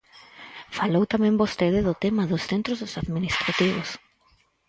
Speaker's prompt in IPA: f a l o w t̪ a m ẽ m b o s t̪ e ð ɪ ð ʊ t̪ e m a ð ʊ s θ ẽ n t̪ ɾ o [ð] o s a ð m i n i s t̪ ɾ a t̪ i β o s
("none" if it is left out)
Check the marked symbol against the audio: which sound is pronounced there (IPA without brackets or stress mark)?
z